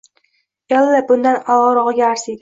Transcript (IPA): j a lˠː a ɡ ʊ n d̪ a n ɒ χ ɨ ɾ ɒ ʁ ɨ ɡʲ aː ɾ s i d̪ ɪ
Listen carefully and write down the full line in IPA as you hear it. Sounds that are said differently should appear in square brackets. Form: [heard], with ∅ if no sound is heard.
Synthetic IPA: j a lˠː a [b] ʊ n d̪ a n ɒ [ʁ] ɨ ɾ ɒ ʁ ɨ ɡʲ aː ɾ s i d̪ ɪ